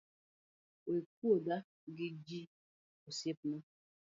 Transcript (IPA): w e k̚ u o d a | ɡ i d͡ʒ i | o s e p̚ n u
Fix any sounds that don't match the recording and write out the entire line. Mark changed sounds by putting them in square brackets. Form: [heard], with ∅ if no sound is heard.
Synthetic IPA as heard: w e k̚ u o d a | ɡ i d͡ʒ i | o s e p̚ n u